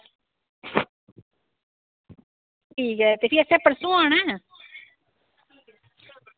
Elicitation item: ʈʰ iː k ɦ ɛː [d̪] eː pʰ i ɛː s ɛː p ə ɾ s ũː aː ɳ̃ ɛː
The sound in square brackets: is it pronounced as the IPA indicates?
no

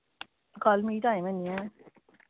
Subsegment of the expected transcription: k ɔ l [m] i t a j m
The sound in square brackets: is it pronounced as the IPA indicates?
yes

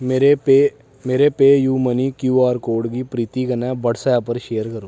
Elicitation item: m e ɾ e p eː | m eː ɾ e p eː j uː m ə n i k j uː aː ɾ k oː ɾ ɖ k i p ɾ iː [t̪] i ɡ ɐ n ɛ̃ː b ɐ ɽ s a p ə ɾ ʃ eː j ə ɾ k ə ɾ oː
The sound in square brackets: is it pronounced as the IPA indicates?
yes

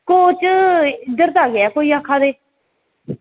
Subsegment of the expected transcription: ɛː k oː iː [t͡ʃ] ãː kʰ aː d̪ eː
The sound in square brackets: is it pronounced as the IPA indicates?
no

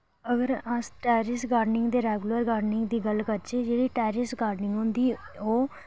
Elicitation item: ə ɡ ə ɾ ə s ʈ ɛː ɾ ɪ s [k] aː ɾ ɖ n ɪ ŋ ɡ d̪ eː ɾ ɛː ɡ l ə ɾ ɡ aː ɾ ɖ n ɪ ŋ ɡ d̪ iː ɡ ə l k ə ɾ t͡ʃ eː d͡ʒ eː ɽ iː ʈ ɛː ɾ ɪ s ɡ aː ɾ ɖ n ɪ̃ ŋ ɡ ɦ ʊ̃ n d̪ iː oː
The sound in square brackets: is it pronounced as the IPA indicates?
no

